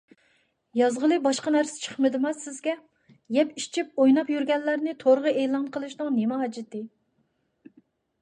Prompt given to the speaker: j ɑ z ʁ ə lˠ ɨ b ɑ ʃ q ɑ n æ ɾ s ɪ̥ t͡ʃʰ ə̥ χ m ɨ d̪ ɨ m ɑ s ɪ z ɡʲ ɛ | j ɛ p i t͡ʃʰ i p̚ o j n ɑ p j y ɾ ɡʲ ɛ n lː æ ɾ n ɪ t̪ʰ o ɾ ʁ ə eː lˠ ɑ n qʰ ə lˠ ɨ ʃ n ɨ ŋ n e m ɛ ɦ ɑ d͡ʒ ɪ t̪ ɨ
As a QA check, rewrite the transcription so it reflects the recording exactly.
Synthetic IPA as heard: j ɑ z ʁ ə lˠ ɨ b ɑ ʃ q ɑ n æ ɾ s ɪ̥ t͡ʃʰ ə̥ χ m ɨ d̪ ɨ m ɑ s ɪ z ɡʲ ɛ | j ɛ p i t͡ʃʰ i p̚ o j n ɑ p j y ɾ ɡʲ ɛ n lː æ ɾ n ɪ t̪ʰ o ɾ ʁ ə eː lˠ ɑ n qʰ ə lˠ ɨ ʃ n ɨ ŋ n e m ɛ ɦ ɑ d͡ʒ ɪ t̪ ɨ

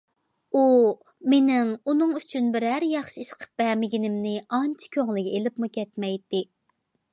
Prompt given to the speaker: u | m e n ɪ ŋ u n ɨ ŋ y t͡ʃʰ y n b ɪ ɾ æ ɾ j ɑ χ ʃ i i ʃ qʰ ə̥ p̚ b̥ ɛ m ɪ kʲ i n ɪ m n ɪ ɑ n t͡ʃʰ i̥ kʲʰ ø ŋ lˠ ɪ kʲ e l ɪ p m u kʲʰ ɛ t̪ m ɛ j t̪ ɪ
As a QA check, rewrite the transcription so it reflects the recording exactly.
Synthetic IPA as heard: u | m e n ɪ ŋ u n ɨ ŋ y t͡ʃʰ y n b ɪ ɾ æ ɾ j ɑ χ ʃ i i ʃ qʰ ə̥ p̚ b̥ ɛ m ɪ ɡʲ i n ɪ m n ɪ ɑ n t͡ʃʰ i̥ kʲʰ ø ŋ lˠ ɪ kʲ e l ɪ p m u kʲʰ ɛ t̪ m ɛ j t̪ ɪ

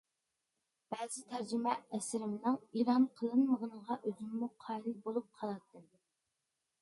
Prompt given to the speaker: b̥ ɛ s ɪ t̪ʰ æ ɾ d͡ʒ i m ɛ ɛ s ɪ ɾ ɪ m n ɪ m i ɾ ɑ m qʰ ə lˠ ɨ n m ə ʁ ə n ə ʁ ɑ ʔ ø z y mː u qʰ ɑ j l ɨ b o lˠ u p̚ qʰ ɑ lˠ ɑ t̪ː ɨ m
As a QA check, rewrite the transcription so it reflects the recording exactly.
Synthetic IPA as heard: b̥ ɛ z ɪ t̪ʰ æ ɾ d͡ʒ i m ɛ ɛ s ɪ ɾ ɪ m n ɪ ŋ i ɾ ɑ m qʰ ə lˠ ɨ n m ə ʁ ə n ə ʁ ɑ ʔ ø z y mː u qʰ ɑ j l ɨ b o lˠ u p̚ qʰ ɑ lˠ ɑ t̪ː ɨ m

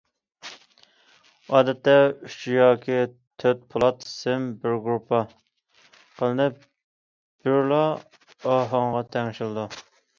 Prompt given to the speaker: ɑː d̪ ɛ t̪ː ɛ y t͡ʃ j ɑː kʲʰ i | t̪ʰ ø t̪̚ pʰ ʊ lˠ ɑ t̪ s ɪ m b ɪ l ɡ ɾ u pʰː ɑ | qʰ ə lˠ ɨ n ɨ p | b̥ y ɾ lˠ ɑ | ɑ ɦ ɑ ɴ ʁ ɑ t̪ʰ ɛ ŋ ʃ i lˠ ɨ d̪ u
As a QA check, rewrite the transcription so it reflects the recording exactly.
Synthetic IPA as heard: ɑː d̪ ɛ t̪ː ɛ y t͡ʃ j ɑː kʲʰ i | t̪ʰ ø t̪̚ pʰ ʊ lˠ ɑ t̪ s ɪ m b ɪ ɾ ɡ ɾ u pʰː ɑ | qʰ ə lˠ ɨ n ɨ p | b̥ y ɾ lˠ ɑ | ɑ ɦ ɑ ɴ ʁ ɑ t̪ʰ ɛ ŋ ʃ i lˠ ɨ d̪ u

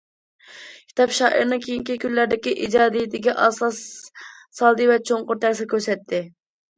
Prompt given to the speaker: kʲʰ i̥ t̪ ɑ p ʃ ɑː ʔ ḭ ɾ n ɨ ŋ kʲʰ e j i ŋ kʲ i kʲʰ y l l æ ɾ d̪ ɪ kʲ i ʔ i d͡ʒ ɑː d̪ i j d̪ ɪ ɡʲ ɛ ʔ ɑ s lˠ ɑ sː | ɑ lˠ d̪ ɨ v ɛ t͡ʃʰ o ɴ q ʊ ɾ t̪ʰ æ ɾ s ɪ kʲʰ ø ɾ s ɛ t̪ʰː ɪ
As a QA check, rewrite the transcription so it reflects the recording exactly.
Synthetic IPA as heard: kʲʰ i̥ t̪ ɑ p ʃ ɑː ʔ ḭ ɾ n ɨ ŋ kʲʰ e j i ŋ kʲ i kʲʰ y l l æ ɾ d̪ ɪ kʲ i ʔ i d͡ʒ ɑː d̪ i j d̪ ɪ ɡʲ ɛ ʔ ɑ s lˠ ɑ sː | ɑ lˠ d̪ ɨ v ɛ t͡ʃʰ o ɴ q ʊ ɾ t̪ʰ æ ɾ s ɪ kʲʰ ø ɾ s ɛ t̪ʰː ɪ

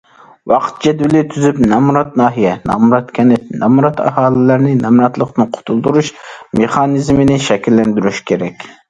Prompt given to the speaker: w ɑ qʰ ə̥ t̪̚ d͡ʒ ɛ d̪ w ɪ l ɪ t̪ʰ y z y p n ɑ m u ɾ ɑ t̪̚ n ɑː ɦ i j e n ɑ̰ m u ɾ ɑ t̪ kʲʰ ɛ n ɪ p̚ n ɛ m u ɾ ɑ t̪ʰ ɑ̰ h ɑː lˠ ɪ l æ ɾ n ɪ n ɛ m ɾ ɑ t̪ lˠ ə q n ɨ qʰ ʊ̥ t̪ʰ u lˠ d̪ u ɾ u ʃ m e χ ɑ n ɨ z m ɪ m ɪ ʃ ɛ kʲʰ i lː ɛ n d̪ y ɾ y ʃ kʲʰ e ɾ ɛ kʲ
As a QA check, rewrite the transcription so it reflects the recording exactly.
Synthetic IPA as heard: w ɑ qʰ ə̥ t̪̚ d͡ʒ ɛ d̪ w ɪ l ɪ t̪ʰ y z y p n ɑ m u ɾ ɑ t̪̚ n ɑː ɦ i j ɛ n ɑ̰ m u ɾ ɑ t̪ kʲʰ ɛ n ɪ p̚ n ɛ m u ɾ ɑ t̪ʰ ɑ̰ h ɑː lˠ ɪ l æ ɾ n ɪ n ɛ m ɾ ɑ t̪ lˠ ə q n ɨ qʰ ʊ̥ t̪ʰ u lˠ d̪ u ɾ u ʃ m e χ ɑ n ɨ z m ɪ n ɪ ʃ ɛ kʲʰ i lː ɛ n d̪ y ɾ y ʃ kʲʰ e ɾ ɛ kʲ

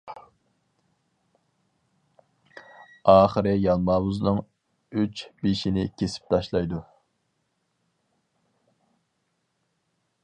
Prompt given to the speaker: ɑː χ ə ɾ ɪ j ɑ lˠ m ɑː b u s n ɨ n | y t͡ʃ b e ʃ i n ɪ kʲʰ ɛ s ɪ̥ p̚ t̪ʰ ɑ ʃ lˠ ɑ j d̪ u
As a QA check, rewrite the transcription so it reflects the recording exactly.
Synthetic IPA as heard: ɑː χ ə ɾ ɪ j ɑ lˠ m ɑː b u z n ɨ ŋ | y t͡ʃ b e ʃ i n ɪ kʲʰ e s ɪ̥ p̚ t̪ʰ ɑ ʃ lˠ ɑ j d̪ u

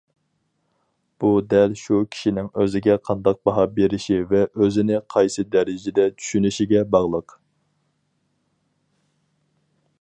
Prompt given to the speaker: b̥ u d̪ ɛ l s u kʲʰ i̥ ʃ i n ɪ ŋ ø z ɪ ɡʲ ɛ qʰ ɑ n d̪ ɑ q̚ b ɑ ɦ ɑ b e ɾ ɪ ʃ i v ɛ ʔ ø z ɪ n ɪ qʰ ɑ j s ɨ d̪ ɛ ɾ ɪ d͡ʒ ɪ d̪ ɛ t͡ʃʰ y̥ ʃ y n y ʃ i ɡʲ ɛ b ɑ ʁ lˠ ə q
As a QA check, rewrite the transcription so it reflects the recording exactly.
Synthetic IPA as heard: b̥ u d̪ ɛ l ʃ u kʲʰ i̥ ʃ i n ɪ ŋ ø z ɪ ɡʲ ɛ qʰ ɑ n d̪ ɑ q̚ b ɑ ɦ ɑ b e ɾ ɪ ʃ i v ɛ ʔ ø z ɪ n ɪ qʰ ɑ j s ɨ d̪ ɛ ɾ ɪ d͡ʒ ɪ d̪ ɛ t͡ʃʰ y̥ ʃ y n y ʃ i ɡʲ ɛ b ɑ ʁ lˠ ə q

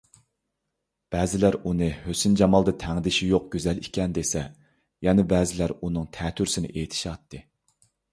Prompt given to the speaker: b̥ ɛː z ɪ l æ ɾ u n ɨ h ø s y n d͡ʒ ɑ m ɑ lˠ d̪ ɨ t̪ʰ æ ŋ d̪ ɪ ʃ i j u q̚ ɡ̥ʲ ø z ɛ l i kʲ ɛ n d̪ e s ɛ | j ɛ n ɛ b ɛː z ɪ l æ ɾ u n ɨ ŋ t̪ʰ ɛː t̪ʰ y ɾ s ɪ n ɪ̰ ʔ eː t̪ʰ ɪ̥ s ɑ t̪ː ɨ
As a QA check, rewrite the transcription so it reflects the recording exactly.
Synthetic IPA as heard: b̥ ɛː z ɪ l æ ɾ u n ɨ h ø s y n d͡ʒ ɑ m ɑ lˠ d̪ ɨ t̪ʰ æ ŋ d̪ ɪ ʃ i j o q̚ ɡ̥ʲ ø z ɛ l i kʲ ɛ n d̪ e s ɛ | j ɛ n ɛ b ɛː z ɪ l æ ɾ u n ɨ ŋ t̪ʰ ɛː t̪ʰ y ɾ s ɪ n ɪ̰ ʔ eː t̪ʰ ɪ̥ ʃ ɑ t̪ː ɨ

